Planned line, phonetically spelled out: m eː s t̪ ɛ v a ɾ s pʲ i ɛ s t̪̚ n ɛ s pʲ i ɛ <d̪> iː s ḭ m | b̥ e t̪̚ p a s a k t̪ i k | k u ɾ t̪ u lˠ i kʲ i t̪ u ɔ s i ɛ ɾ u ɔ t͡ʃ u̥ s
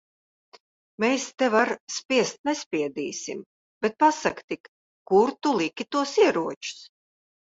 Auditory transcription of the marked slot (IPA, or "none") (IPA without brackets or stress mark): d̪